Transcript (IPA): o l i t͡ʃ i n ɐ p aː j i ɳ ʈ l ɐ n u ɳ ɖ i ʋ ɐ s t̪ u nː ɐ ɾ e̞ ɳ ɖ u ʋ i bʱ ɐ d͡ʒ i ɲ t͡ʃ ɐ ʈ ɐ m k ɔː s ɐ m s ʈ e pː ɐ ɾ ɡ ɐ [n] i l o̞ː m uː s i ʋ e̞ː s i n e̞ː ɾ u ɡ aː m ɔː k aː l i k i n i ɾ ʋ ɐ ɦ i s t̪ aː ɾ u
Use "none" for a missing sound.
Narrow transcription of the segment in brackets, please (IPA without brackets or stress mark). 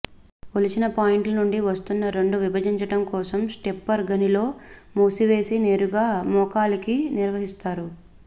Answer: n